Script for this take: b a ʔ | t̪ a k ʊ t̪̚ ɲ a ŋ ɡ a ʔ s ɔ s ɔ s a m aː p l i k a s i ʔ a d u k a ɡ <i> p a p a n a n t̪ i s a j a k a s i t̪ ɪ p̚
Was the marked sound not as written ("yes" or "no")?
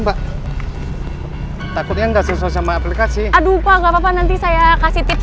yes